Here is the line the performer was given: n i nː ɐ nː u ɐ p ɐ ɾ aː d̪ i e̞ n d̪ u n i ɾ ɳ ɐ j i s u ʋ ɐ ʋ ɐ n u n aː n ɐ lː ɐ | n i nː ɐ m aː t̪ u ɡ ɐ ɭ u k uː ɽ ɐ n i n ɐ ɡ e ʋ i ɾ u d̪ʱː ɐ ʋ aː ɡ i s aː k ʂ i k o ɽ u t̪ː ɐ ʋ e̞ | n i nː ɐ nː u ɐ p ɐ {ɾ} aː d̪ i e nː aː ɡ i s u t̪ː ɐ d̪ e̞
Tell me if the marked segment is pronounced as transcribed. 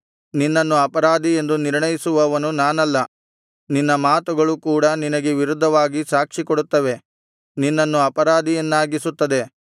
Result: yes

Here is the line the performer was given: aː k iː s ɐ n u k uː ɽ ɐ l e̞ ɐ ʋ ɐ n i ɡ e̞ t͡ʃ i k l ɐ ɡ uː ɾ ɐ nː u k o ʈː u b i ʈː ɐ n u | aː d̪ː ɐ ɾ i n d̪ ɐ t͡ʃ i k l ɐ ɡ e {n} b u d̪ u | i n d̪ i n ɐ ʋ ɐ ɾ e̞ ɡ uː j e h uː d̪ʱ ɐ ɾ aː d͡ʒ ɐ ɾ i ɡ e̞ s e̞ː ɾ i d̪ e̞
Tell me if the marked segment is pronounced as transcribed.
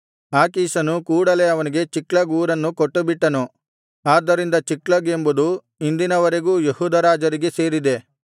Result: no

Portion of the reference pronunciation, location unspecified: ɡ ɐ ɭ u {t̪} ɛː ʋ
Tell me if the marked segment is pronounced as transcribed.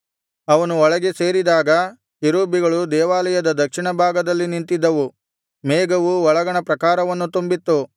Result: no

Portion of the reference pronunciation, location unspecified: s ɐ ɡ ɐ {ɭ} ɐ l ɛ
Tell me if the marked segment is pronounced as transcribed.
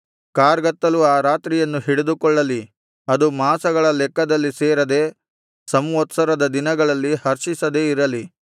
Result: yes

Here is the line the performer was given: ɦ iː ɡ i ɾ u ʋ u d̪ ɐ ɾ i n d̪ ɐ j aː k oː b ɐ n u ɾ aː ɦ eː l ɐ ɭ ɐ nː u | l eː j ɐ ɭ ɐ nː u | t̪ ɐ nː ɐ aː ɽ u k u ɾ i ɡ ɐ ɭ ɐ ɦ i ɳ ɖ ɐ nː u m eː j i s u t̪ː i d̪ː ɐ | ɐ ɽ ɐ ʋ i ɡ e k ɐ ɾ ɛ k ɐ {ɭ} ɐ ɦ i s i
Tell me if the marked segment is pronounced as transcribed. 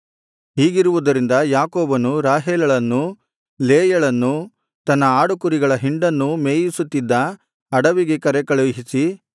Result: yes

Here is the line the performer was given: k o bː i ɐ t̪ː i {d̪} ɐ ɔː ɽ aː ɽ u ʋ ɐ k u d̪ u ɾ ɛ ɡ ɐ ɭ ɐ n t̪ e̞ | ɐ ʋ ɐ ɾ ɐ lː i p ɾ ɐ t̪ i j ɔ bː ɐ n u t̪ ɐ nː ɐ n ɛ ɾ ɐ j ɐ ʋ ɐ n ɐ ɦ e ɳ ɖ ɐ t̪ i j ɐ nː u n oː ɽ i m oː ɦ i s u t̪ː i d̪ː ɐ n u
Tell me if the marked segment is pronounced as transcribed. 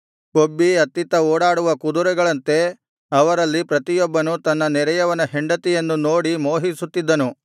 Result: no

